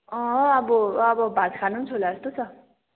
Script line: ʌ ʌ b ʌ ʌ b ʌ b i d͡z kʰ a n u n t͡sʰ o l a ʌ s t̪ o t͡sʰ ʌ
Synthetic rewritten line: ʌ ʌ b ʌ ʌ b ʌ b a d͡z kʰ a n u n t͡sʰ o l a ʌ s t̪ o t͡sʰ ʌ